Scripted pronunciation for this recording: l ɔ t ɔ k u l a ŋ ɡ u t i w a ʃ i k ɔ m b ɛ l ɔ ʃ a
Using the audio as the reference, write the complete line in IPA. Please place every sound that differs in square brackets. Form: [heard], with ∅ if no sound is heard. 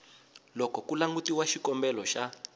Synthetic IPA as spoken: l ɔ [k] ɔ k u l a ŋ ɡ u t i w a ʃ i k ɔ m b ɛ l ɔ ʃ a